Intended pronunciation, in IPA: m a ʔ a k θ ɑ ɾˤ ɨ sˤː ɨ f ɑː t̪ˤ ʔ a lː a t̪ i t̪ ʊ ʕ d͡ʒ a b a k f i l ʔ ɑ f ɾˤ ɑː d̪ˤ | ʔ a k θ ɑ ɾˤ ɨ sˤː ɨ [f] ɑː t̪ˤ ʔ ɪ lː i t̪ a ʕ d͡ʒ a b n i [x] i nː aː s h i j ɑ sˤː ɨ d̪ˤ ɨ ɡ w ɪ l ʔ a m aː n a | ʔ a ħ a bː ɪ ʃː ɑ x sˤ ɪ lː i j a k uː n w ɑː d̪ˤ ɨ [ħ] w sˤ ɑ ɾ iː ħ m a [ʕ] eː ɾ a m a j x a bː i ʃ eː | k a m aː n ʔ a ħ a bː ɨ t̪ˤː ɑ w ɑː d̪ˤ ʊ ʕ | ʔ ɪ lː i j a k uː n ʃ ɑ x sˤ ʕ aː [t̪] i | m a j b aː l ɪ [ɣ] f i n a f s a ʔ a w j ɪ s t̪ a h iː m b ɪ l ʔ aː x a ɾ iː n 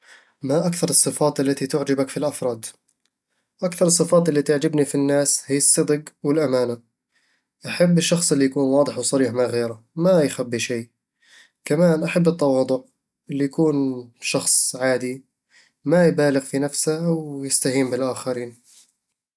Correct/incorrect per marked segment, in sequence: correct, incorrect, correct, incorrect, incorrect, correct

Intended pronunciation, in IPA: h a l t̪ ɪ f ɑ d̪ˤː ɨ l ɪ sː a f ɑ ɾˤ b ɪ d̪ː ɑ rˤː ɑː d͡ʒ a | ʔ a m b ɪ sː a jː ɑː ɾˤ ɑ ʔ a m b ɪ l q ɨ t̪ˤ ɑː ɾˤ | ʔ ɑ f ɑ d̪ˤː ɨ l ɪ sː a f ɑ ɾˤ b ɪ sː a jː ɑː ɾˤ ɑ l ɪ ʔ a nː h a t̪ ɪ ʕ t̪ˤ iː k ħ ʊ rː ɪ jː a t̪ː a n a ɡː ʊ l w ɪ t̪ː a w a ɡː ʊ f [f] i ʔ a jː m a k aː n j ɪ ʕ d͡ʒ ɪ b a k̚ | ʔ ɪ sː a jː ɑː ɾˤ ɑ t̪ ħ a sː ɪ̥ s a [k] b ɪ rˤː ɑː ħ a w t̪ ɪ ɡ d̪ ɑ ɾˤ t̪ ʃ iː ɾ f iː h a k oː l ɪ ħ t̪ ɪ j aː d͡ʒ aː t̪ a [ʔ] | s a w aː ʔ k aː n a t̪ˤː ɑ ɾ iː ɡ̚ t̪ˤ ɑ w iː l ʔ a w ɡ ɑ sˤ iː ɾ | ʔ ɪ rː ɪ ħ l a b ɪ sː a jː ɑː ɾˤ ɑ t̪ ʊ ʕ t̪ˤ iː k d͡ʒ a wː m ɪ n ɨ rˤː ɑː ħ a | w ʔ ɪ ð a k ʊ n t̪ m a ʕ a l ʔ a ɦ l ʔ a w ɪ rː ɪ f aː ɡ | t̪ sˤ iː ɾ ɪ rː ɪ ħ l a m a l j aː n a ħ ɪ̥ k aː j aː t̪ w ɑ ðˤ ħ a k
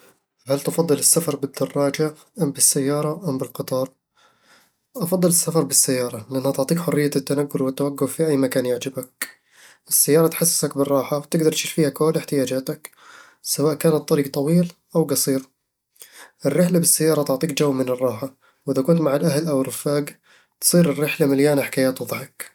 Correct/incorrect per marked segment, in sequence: correct, correct, incorrect

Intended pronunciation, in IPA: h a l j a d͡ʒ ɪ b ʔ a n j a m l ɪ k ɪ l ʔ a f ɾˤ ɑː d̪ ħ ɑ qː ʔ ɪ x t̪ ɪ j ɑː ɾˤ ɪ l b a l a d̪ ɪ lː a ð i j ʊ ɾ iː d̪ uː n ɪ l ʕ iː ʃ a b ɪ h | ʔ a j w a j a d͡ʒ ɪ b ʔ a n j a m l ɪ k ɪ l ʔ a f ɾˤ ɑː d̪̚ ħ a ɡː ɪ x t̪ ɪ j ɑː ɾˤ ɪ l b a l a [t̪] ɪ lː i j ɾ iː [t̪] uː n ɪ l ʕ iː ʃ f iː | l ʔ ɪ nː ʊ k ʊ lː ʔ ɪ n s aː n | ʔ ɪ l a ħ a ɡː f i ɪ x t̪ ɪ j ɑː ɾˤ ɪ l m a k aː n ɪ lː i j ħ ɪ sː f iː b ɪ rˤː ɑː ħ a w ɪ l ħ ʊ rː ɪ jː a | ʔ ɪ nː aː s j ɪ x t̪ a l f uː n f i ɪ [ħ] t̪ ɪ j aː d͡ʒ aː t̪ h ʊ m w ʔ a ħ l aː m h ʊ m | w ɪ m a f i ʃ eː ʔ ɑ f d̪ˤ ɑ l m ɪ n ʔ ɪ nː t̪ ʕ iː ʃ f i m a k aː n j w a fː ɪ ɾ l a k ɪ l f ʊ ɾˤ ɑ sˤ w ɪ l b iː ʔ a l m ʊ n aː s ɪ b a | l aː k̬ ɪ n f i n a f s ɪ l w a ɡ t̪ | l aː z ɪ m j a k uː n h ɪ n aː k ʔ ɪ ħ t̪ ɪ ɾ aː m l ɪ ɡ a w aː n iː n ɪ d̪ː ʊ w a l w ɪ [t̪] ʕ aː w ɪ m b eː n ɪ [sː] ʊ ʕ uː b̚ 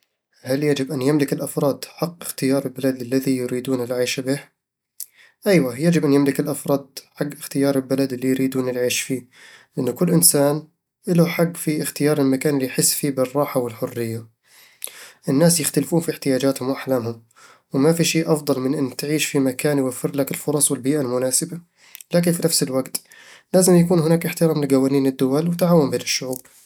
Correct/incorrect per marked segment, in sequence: incorrect, incorrect, correct, correct, incorrect

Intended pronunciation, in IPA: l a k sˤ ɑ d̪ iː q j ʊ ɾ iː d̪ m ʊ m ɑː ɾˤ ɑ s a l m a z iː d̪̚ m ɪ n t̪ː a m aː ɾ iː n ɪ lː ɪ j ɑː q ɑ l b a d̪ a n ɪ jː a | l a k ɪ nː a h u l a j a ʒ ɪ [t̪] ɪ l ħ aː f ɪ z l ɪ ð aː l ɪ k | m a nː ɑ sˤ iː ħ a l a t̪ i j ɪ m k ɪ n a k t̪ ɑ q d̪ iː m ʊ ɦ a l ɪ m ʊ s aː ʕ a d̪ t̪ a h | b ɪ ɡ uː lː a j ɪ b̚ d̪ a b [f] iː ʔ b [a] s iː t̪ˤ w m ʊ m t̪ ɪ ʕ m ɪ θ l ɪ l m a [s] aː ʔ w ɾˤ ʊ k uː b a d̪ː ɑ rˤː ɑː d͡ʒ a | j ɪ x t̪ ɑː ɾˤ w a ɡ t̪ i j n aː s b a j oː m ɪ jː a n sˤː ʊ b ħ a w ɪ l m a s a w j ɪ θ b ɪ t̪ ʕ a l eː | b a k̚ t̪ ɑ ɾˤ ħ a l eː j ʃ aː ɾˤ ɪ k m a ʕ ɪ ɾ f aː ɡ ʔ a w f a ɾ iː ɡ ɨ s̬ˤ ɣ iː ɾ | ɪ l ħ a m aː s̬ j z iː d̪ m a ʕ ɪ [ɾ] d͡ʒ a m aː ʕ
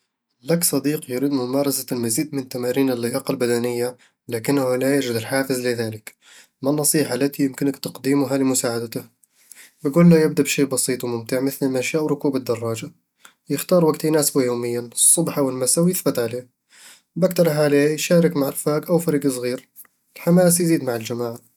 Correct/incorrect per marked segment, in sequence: incorrect, incorrect, incorrect, incorrect, incorrect

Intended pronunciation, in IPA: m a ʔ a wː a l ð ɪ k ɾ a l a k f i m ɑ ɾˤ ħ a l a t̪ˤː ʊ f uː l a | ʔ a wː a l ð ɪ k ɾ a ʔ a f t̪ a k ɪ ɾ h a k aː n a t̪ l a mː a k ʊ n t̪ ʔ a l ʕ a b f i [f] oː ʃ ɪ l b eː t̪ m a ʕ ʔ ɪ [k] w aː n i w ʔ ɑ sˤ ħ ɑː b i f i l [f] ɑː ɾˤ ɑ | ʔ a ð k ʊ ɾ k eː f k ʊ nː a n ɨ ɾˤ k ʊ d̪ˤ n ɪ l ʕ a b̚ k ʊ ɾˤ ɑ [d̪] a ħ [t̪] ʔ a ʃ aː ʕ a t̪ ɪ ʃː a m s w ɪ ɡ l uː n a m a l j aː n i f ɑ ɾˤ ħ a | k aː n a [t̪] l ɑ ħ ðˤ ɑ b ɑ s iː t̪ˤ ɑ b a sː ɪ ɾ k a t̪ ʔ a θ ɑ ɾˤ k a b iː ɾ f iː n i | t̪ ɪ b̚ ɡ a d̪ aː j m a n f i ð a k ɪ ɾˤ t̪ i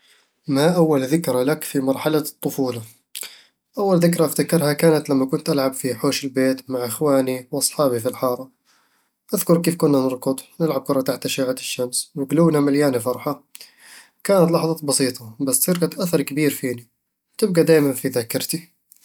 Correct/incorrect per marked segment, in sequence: incorrect, incorrect, incorrect, incorrect, correct, correct

